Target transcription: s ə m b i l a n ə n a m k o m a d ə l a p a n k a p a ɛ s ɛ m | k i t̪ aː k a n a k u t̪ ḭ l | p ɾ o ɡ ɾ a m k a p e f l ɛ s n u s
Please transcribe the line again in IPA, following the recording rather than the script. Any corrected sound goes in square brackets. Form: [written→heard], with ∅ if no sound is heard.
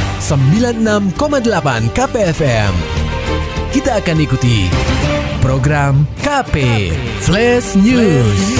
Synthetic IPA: s ə m b i l a n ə n a m k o m a d ə l a p a n k a p [a→e] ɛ [s→f] ɛ m | k i t̪ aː k a n [a→i] k u t̪ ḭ [l→∅] | p ɾ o ɡ ɾ a m k a p e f l ɛ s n u s